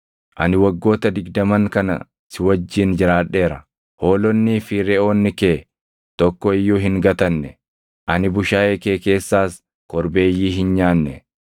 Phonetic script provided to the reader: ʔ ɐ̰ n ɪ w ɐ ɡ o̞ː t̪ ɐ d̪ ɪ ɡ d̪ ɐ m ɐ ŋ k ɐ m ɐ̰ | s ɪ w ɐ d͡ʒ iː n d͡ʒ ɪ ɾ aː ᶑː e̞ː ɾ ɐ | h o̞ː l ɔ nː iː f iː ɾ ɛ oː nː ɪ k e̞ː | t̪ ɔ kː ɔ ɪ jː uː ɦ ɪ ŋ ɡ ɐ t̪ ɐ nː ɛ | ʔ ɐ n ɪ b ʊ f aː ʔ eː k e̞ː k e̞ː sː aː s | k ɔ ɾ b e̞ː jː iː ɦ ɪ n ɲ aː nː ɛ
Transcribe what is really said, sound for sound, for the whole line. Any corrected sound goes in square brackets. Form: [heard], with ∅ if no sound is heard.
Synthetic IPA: ʔ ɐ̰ n ɪ w ɐ [ɡː] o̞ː t̪ ɐ d̪ ɪ ɡ d̪ ɐ m ɐ ŋ k ɐ [n] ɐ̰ | s ɪ w ɐ [d͡ʒː] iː n d͡ʒ ɪ ɾ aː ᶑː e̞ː ɾ ɐ | h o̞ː l ɔ nː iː f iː ɾ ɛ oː nː ɪ k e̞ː | t̪ ɔ kː ɔ ɪ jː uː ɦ ɪ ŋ ɡ ɐ t̪ ɐ nː ɛ | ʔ ɐ n ɪ b ʊ [ʃ] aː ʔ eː k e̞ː k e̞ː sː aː s | k ɔ ɾ b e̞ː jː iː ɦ ɪ n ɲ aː nː ɛ